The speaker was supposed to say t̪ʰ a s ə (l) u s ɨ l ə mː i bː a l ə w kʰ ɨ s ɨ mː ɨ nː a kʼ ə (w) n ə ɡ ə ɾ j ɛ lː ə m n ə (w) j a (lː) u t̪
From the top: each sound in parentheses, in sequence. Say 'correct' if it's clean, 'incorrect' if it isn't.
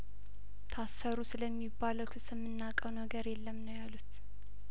incorrect: ɾ, correct, correct, incorrect: l

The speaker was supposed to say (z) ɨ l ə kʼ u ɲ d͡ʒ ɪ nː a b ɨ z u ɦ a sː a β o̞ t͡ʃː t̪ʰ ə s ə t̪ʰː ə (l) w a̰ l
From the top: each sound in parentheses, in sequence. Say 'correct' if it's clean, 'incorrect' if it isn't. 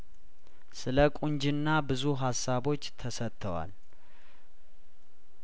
incorrect: s, incorrect: none

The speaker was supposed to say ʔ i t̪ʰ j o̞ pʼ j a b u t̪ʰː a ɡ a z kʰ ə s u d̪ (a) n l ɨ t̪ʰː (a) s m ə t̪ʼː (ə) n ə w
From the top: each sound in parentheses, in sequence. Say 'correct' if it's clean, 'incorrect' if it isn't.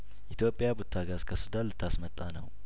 correct, correct, incorrect: a

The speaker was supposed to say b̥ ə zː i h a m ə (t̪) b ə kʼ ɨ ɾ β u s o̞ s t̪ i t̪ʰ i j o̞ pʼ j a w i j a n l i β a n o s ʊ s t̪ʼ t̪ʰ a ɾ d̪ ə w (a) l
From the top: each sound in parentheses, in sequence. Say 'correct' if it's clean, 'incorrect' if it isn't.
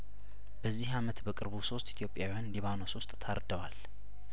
correct, correct

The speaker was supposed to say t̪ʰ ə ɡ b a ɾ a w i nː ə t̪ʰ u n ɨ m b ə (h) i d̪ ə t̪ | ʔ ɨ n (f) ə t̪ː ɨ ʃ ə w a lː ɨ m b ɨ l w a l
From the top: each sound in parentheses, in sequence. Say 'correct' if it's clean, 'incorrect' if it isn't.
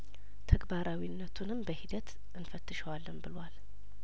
correct, correct

